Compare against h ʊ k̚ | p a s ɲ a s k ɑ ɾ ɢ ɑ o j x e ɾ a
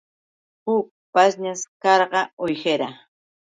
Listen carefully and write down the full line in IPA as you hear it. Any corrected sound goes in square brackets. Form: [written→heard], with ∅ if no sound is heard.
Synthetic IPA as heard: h ʊ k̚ | p a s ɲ a s k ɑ ɾ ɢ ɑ o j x e ɾ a